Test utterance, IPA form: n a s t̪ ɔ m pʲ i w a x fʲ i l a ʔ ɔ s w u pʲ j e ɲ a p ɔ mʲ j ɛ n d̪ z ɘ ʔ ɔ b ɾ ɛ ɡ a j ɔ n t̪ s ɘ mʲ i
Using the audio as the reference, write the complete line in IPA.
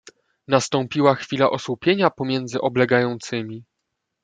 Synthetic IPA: n a s t̪ ɔ m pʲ i w a x fʲ i l a ʔ ɔ s w u pʲ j e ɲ a p ɔ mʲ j ɛ n d̪ z ɘ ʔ ɔ b l ɛ ɡ a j ɔ n t̪ s ɘ mʲ i